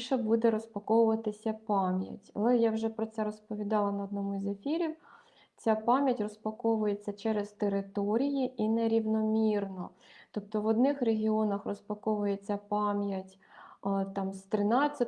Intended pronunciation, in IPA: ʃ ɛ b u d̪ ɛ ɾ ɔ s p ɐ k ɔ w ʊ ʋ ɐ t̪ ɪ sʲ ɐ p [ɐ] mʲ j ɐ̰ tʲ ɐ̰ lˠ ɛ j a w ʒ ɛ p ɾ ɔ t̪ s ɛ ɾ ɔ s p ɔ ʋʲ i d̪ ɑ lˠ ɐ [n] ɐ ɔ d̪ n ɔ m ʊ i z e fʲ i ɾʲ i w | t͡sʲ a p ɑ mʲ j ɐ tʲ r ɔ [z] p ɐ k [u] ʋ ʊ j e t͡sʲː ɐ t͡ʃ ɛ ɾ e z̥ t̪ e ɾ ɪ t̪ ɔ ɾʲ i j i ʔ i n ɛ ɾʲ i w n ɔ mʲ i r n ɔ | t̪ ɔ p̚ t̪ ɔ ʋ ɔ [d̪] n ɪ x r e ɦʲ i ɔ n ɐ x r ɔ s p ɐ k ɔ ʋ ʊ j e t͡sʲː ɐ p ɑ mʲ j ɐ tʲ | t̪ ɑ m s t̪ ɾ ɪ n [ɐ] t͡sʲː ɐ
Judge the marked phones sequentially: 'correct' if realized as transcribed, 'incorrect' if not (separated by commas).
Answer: incorrect, correct, incorrect, incorrect, correct, incorrect